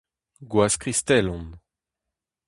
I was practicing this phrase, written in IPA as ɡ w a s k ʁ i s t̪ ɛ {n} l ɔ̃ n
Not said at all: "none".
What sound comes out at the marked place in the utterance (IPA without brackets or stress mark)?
none